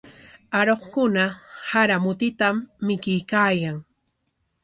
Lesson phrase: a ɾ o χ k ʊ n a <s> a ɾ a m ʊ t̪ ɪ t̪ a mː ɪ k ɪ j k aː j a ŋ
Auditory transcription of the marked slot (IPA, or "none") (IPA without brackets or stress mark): h